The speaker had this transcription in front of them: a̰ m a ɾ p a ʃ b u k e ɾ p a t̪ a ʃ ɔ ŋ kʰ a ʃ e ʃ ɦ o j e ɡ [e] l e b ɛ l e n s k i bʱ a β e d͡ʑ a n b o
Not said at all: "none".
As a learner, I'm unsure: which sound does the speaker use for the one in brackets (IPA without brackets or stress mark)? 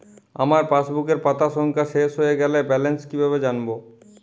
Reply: ɛ